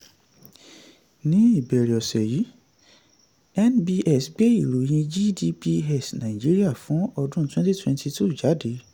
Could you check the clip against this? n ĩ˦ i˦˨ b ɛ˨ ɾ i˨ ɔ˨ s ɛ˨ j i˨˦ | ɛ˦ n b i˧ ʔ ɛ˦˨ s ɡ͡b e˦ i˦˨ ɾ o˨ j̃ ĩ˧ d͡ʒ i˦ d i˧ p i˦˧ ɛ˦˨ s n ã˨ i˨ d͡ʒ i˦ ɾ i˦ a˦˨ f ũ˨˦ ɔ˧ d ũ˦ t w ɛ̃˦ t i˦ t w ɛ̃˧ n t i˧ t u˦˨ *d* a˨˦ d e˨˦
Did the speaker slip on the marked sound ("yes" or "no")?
yes